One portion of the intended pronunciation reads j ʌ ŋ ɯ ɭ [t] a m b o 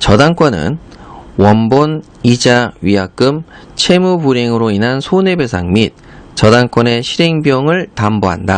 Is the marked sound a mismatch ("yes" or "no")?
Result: no